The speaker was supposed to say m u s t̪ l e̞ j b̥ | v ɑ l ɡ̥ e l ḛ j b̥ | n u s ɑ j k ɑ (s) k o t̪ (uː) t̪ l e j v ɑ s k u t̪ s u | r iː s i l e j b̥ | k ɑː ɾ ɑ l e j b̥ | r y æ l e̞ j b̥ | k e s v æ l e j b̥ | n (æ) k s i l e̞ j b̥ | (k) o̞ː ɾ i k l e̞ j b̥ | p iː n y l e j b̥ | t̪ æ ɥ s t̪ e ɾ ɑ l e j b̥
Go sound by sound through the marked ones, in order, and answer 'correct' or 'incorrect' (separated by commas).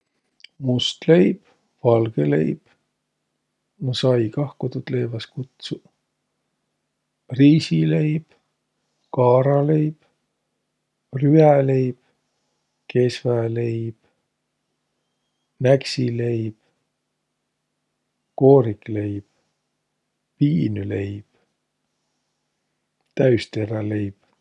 incorrect, incorrect, correct, correct